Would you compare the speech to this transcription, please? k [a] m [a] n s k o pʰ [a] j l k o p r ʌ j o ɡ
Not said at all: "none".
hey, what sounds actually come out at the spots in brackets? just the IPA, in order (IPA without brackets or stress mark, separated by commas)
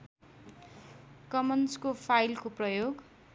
ʌ, ʌ, a